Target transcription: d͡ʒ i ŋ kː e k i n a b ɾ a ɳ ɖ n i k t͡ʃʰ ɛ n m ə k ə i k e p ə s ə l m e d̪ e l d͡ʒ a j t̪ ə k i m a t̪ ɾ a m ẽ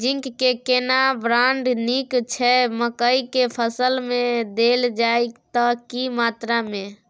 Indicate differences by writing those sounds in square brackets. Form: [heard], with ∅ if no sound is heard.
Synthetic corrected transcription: d͡ʒ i ŋ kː e k [e] n a b ɾ a ɳ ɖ n i k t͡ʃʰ ɛ [∅] m ə k ə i k e [pʰ] ə s ə l m e d̪ e l d͡ʒ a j t̪ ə k i m a t̪ ɾ a m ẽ